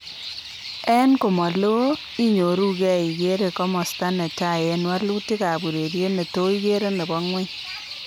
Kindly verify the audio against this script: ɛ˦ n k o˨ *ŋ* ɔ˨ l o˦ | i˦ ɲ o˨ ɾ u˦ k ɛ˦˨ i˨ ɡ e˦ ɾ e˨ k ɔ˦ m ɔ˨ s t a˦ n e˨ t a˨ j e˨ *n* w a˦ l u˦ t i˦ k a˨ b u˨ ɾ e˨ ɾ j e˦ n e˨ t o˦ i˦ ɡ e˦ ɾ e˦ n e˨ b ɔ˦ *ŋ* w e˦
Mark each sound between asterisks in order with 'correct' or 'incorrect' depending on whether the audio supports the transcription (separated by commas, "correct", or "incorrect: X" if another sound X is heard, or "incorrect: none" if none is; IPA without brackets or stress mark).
incorrect: m, correct, correct